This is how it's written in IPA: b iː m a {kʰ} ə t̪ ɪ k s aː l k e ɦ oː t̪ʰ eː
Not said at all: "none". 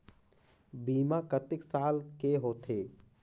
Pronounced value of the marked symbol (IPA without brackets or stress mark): k